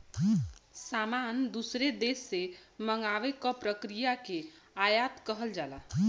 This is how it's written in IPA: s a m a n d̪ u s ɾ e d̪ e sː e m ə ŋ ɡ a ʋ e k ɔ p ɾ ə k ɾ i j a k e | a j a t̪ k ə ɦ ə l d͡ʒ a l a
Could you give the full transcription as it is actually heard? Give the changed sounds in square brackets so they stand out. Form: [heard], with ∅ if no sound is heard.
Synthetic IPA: s a m a n d̪ u s ɾ e d̪ e sː e m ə ŋ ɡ a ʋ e k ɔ p ɾ ə k ɾ i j a k e | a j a t̪ k ə ɦ ə l d͡ʒ a l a